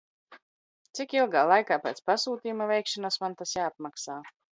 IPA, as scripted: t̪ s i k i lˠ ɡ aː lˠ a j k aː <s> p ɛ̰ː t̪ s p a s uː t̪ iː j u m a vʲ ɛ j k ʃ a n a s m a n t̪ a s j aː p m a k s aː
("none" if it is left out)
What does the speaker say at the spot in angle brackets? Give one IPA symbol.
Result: none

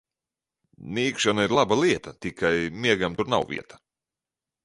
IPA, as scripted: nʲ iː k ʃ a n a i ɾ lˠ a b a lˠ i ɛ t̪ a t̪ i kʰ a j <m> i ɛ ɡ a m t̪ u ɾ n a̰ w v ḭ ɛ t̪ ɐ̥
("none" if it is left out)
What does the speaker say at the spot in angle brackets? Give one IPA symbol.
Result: m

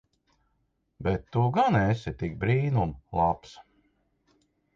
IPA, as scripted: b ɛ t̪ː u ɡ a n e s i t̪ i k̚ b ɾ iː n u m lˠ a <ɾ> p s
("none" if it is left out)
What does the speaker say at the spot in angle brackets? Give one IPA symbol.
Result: none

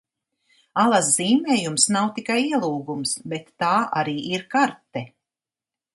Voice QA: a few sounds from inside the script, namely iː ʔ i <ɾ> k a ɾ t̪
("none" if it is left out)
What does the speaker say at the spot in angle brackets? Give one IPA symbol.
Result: ɾ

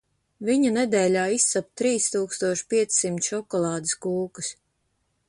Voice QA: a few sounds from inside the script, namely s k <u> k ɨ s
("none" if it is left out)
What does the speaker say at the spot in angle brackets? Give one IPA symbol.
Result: uː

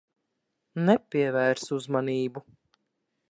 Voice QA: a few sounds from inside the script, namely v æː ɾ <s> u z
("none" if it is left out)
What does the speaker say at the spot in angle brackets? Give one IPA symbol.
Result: s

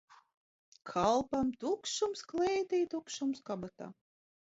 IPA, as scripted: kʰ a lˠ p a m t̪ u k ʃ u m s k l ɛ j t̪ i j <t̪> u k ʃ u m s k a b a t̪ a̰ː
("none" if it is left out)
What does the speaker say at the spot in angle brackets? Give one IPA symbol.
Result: t̪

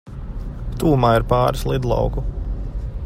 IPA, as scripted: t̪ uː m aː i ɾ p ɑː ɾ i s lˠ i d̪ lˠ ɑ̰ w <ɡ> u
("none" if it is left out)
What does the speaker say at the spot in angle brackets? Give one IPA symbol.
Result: k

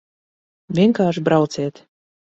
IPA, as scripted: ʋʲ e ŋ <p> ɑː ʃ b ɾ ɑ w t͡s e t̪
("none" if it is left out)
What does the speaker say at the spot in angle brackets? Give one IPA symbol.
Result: k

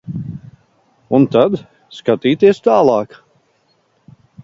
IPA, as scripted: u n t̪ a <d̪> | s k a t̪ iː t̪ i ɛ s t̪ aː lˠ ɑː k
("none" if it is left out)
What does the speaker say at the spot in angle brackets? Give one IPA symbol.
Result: d̪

